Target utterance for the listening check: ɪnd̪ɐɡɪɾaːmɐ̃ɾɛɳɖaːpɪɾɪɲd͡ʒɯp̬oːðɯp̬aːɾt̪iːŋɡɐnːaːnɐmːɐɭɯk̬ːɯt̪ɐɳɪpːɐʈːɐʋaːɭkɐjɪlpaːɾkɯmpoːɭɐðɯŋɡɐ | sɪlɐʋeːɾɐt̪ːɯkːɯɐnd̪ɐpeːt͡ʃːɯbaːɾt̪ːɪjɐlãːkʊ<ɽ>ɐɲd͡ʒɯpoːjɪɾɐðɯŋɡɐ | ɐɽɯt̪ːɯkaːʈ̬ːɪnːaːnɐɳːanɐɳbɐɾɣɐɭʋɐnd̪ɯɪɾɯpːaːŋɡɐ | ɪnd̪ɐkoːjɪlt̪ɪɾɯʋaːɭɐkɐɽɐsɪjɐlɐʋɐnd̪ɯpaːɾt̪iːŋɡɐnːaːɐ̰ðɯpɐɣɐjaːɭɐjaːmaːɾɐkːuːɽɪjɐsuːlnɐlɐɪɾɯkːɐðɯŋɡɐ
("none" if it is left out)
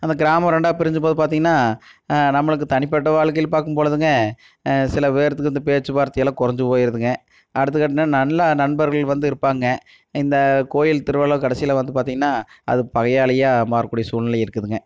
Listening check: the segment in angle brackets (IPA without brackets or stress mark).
ɾ